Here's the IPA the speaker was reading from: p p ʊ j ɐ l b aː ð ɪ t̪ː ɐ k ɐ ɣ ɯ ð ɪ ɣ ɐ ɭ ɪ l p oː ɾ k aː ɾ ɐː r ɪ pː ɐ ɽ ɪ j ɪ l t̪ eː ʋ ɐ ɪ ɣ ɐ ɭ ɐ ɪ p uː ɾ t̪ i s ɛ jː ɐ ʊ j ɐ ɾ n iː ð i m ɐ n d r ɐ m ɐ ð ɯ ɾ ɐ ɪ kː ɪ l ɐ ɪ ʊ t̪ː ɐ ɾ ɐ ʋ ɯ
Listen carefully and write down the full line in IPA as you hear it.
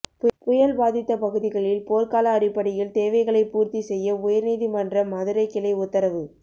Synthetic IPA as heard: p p ʊ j ɐ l b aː ð ɪ t̪ː ɐ p ɐ ɣ ɯ ð ɪ ɣ ɐ ɭ ɪ l p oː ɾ k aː l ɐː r ɪ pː ɐ ɽ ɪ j ɪ l t̪ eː ʋ ɐ ɪ ɣ ɐ ɭ ɐ ɪ p uː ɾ t̪ i s ɛ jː ɐ ʊ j ɐ ɾ n iː ð i m ɐ n d r ɐ m ɐ ð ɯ ɾ ɐ ɪ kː ɪ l ɐ ɪ ʊ t̪ː ɐ ɾ ɐ ʋ ɯ